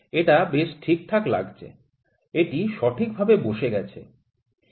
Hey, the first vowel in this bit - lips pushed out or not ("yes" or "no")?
no